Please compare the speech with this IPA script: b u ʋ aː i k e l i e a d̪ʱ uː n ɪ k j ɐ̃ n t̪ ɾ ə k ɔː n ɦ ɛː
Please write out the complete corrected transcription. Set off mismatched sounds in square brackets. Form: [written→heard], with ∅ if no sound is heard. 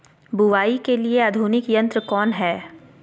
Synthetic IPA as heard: b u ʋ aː i k e l i e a d̪ʱ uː n ɪ k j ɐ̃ n t̪ ɾ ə k ɔː n ɦ ɛː